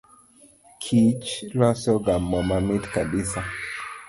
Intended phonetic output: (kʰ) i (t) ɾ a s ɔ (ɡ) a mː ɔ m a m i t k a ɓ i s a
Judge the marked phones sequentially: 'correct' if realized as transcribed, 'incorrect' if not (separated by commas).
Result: correct, incorrect, correct